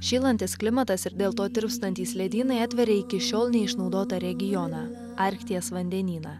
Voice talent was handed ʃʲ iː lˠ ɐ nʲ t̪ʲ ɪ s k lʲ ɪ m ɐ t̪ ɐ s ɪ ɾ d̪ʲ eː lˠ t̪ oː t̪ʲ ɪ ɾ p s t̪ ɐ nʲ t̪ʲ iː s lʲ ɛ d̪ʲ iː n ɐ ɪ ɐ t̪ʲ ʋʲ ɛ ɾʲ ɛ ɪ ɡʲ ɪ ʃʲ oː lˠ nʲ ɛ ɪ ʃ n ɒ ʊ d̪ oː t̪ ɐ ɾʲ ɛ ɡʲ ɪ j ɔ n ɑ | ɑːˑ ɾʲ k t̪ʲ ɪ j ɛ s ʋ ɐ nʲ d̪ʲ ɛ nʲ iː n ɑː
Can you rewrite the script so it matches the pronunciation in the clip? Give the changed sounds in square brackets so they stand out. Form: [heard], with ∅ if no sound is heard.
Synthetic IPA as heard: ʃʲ iː lˠ ɐ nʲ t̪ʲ ɪ s k lʲ ɪ m ɐ t̪ ɐ s ɪ ɾ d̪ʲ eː lˠ t̪ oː t̪ʲ ɪ ɾ p s t̪ ɐ nʲ t̪ʲ iː s lʲ ɛ d̪ʲ iː n ɐ ɪ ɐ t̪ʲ ʋʲ ɛ ɾʲ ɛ ɪ [kʲ] ɪ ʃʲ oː lˠ nʲ ɛ ɪ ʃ n ɒ ʊ d̪ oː t̪ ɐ ɾʲ ɛ ɡʲ ɪ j ɔ n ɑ | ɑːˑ ɾʲ k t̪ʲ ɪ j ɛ s ʋ ɐ nʲ d̪ʲ ɛ nʲ iː n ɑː